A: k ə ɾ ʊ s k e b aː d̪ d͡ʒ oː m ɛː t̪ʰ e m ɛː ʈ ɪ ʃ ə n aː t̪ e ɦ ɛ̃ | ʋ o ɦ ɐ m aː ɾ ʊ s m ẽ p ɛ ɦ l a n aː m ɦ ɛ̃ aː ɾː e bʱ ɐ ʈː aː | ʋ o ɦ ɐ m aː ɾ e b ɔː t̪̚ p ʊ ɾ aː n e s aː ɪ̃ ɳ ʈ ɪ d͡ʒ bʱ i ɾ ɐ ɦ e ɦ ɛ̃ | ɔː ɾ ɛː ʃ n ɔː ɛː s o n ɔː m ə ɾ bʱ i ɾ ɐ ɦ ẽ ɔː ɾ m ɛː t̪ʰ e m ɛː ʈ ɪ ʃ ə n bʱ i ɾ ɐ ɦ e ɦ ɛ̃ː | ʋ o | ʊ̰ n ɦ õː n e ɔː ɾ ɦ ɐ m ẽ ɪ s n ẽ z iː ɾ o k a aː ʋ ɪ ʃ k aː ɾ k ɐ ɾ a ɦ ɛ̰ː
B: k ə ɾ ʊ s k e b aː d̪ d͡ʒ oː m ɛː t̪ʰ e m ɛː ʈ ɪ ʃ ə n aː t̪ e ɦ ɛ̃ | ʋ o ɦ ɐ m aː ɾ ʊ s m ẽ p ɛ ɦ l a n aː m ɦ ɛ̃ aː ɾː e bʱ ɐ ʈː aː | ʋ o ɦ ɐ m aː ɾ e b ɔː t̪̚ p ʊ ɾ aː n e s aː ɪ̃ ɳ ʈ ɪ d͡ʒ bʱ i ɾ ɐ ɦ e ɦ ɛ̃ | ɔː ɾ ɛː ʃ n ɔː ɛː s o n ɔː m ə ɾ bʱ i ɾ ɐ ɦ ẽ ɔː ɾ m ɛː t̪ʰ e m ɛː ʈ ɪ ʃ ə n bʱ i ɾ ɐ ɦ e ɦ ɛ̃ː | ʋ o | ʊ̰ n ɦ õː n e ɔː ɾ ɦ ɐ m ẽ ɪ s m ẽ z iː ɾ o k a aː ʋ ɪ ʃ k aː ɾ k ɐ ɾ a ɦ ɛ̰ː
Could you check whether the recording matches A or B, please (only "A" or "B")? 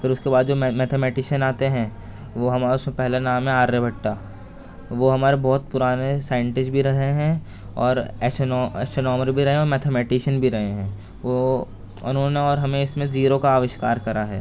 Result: B